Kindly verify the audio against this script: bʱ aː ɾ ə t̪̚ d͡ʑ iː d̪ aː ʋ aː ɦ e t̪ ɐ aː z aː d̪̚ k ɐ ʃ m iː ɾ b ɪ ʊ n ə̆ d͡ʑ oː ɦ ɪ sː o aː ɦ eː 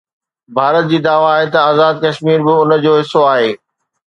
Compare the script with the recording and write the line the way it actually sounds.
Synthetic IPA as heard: bʱ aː ɾ ə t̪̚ d͡ʑ iː d̪ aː ʋ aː ɦ e t̪ ɐ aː z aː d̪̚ k ɐ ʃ m iː ɾ b ɪ ʊ n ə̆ d͡ʑ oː ɦ ɪ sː o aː ɦ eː